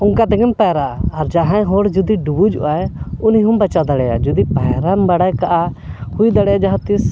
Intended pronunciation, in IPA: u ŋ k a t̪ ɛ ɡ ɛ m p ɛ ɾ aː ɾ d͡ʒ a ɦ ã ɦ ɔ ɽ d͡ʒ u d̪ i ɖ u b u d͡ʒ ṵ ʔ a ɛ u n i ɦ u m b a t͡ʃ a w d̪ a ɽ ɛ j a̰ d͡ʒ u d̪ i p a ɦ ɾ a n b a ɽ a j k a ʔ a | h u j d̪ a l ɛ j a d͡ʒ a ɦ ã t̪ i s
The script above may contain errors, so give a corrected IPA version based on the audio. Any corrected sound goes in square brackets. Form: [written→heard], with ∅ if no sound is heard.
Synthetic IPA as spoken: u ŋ k a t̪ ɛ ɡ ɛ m p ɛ ɾ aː ɾ d͡ʒ a ɦ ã ɦ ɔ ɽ d͡ʒ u d̪ i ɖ u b u d͡ʒ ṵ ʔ a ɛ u n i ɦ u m b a t͡ʃ a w d̪ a ɽ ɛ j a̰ d͡ʒ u d̪ i p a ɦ ɾ a [n→m] b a ɽ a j k a ʔ a | h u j d̪ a [l→ɽ] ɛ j a d͡ʒ a ɦ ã t̪ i s